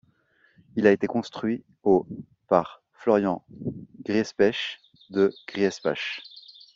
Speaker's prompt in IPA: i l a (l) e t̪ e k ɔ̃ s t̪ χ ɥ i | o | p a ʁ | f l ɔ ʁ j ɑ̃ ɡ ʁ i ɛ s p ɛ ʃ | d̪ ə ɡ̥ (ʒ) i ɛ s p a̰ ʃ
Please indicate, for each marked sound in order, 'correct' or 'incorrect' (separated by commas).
incorrect, incorrect